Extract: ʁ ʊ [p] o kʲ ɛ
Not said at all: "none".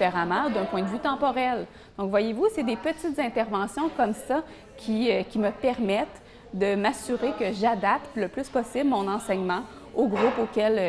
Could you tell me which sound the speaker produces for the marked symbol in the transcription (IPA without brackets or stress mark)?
p